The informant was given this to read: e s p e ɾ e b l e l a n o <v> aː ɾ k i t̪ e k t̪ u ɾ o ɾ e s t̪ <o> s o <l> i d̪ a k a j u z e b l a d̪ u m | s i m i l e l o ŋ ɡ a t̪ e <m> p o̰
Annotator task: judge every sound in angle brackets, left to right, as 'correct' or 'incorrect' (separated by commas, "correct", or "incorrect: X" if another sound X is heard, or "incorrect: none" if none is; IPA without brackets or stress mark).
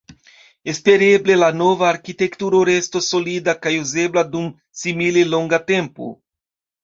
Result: correct, correct, correct, correct